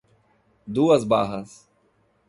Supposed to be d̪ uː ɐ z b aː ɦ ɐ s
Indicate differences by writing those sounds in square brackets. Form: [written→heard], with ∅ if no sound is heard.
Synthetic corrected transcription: d̪ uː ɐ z b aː ɦ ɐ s

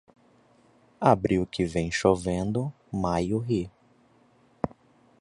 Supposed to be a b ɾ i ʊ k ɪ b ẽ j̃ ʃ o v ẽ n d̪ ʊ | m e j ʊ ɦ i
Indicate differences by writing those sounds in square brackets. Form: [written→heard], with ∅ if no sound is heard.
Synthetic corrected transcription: a b ɾ i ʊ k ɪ [b→v] ẽ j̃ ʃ o v ẽ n d̪ ʊ | m [e→a] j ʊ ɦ i

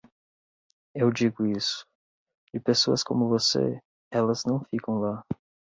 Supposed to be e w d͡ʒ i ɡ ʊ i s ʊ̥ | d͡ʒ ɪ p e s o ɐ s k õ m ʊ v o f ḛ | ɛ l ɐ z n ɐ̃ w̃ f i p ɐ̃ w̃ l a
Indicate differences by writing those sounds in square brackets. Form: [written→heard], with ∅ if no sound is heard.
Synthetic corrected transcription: e w d͡ʒ i ɡ ʊ i s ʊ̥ | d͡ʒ ɪ p e s o ɐ s k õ m ʊ v o [f→s] ḛ | ɛ l ɐ z n ɐ̃ w̃ f i [p→k] ɐ̃ w̃ l a

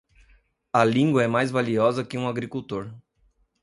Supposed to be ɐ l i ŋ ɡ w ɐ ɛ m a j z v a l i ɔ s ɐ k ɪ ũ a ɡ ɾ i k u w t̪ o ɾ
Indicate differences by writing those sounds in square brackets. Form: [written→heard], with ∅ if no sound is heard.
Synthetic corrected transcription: ɐ l [i→ĩ] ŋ ɡ w ɐ ɛ m a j z v a l i ɔ [s→z] ɐ k ɪ ũ a ɡ ɾ i k u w t̪ o ɾ

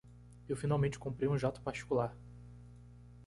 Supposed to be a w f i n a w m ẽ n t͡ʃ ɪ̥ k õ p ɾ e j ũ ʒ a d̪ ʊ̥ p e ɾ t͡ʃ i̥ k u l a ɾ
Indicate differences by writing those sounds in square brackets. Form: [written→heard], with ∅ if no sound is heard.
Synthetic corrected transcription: [a→e] w f i n a w m ẽ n t͡ʃ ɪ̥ k õ p ɾ e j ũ ʒ a [d̪→t̪] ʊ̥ p [e→a] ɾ t͡ʃ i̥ k u l a ɾ

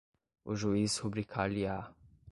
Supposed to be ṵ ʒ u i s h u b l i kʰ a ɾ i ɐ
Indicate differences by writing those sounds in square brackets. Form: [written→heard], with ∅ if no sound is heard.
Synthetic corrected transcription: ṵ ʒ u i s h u b [l→ɾ] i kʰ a [ɾ→l] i [ɐ→a]

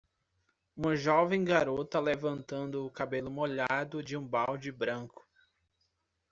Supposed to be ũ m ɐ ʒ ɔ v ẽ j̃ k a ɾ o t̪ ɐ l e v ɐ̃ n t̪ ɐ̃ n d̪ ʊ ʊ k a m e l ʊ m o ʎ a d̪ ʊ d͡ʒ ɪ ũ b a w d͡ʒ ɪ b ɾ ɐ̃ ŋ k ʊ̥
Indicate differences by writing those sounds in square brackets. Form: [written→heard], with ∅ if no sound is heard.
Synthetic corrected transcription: ũ m ɐ ʒ ɔ v ẽ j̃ [k→ɡ] a ɾ o t̪ ɐ l e v ɐ̃ n t̪ ɐ̃ n d̪ ʊ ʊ k a [m→b] e l ʊ m o ʎ a d̪ ʊ d͡ʒ ɪ ũ b a w d͡ʒ ɪ b ɾ ɐ̃ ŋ k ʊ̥

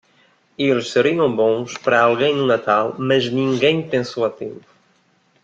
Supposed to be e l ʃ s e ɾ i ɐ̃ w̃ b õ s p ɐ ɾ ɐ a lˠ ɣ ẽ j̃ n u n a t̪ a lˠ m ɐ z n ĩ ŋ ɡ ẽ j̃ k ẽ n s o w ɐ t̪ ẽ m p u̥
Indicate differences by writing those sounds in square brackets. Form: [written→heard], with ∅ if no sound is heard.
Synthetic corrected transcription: e l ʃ s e ɾ i ɐ̃ w̃ b õ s p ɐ ɾ ɐ a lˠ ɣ ẽ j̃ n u n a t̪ a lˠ m ɐ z n ĩ ŋ ɡ ẽ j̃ [k→p] ẽ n s o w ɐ t̪ ẽ m p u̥

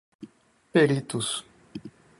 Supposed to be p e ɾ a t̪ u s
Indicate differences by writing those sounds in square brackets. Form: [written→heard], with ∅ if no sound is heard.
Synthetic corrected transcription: p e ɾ [a→i] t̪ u s

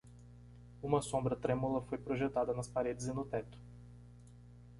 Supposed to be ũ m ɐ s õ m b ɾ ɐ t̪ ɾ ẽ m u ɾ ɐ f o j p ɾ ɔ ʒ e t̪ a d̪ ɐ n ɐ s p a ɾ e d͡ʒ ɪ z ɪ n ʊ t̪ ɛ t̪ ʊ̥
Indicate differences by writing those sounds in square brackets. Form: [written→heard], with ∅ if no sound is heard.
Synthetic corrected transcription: ũ m ɐ s õ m b ɾ ɐ t̪ ɾ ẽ m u [ɾ→l] ɐ f o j p ɾ [ɔ→o] ʒ e t̪ a d̪ ɐ n ɐ s p a ɾ e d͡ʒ ɪ z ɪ n ʊ t̪ ɛ t̪ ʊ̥

